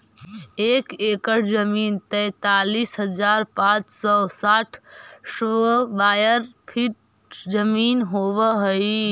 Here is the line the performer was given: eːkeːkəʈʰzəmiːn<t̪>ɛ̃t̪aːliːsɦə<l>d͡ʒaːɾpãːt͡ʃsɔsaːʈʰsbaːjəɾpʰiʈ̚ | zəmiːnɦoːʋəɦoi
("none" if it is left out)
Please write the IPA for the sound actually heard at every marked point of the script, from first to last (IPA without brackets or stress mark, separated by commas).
t̪, none